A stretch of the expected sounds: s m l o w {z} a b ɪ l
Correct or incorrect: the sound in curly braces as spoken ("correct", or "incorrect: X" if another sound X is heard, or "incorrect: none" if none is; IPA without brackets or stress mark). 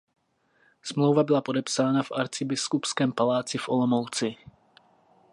incorrect: v